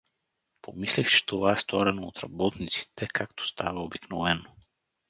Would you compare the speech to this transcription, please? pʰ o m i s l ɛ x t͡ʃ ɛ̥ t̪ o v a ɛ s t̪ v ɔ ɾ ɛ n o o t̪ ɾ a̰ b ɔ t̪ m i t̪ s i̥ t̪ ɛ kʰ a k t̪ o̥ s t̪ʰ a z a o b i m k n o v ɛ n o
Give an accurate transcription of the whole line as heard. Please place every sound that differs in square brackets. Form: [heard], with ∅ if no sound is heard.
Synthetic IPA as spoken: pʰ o m i s l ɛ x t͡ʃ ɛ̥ t̪ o v a ɛ s t̪ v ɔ ɾ ɛ n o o t̪ ɾ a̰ b ɔ t̪ [n] i t̪ s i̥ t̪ ɛ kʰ a k t̪ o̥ s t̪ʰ a [v] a o b i [∅] k n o v ɛ n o